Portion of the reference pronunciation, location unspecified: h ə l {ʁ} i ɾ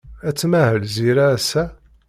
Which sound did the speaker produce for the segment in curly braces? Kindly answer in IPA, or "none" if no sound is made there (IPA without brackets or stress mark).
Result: z